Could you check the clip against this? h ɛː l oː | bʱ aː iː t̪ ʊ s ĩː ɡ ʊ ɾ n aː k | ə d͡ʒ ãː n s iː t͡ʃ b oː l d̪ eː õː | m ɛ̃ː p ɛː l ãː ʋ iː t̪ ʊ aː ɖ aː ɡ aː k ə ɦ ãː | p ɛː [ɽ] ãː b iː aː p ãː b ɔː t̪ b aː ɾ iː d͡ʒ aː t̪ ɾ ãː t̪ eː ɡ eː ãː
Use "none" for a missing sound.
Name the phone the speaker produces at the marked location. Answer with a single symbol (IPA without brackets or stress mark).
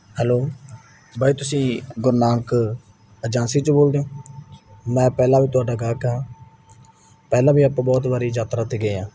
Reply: l